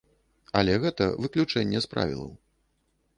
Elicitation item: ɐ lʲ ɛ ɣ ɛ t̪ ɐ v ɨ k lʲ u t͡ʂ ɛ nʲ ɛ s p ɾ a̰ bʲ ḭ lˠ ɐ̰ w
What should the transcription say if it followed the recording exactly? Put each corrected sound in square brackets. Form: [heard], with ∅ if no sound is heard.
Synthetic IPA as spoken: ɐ lʲ ɛ ɣ ɛ t̪ ɐ v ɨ k lʲ u t͡ʂ ɛ [nʲː] ɛ s p ɾ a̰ [vʲ] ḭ lˠ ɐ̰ w